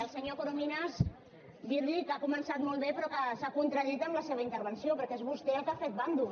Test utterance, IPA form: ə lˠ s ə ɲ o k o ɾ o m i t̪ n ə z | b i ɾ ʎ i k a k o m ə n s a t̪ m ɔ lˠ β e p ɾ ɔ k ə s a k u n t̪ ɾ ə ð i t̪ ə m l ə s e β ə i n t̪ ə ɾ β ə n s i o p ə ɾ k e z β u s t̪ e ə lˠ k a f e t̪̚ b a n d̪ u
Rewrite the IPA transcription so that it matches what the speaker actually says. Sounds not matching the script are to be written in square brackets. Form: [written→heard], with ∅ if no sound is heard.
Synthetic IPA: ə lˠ s ə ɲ o k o ɾ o m i [t̪→∅] n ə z | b i ɾ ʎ i k a k [o→u] m ə n s a t̪ m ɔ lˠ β e p ɾ ɔ k ə s a k u n t̪ ɾ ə ð i t̪ ə m l ə s e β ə i n t̪ ə ɾ β ə n s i o p ə ɾ k e z β u s t̪ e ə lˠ k a f e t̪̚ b a n d̪ u